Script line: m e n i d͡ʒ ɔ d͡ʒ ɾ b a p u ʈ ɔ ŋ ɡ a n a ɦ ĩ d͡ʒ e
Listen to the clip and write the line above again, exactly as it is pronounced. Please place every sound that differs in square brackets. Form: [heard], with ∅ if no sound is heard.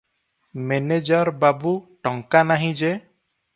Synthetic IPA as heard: m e n [e] d͡ʒ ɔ [∅] ɾ b a [b] u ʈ ɔ ŋ [k] a n a ɦ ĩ d͡ʒ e